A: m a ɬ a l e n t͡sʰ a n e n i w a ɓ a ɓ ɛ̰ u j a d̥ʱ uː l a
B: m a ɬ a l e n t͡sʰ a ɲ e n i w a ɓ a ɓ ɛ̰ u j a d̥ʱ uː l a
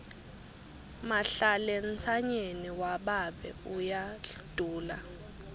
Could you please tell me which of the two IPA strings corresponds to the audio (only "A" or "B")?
B